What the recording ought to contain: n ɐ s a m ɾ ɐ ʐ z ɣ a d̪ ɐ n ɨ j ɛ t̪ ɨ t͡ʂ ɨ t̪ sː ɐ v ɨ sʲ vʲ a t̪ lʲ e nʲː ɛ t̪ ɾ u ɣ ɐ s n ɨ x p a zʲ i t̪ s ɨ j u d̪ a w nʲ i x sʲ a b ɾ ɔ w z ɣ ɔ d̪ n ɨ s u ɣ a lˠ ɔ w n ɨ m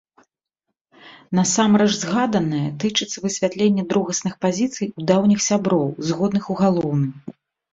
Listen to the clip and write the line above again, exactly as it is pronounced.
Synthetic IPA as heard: n ɐ s a m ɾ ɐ ʐ z ɣ a d̪ ɐ n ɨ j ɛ t̪ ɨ t͡ʂ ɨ t̪ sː ɐ v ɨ sʲ vʲ a t̪ lʲ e nʲː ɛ d̪ ɾ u ɣ ɐ s n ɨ x p a zʲ i t̪ s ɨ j u d̪ a w nʲ i x sʲ a b ɾ ɔ w z ɣ ɔ d̪ n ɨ x u ɣ a lˠ ɔ w n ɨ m